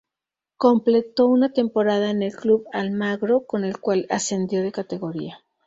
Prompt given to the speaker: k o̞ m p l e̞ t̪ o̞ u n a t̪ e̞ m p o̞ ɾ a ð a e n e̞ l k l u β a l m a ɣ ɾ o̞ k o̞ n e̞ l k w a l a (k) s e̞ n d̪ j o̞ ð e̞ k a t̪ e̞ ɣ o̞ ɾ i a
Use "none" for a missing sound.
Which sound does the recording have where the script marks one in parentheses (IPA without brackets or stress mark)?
none